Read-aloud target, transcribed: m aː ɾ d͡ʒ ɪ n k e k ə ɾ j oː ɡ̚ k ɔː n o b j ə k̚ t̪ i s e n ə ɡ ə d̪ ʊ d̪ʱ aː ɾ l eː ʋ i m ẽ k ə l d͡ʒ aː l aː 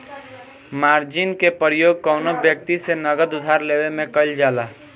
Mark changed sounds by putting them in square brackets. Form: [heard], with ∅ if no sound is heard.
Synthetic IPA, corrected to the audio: m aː ɾ d͡ʒ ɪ n k e [p] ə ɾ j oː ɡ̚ k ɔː n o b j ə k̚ t̪ i s e n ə ɡ ə d̪ ʊ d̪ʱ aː ɾ l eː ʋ [e] m ẽ k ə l d͡ʒ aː l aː